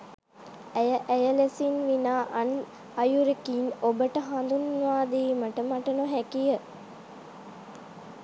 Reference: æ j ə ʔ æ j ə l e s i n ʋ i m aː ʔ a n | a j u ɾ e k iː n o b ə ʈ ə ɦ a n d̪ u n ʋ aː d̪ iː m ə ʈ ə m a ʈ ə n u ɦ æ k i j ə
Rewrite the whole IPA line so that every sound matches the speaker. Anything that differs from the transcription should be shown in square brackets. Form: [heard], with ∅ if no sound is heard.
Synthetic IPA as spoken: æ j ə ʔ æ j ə l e s i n ʋ i [n] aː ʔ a n | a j u ɾ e k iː n o b ə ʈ ə ɦ a n d̪ u n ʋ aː d̪ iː m ə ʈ ə m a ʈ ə n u ɦ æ k i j ə